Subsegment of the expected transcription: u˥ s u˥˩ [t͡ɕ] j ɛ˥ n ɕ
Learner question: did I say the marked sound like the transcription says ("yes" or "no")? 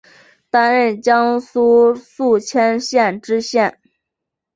no